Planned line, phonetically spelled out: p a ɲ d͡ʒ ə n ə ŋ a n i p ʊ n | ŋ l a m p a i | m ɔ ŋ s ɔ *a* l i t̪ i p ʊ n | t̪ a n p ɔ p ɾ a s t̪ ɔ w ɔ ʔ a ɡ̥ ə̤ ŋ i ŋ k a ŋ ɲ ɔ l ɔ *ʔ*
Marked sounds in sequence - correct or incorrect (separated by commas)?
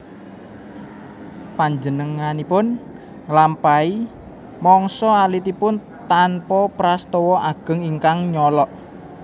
correct, correct